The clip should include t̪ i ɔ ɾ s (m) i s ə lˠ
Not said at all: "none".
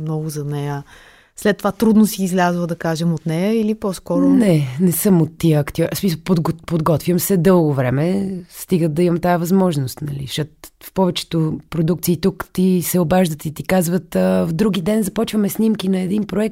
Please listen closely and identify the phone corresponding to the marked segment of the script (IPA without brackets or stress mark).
m